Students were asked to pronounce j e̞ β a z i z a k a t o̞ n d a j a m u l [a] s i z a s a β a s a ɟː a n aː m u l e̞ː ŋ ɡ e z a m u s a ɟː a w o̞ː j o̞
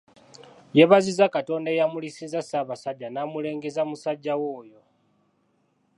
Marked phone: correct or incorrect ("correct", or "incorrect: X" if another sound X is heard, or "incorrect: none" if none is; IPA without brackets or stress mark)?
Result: incorrect: i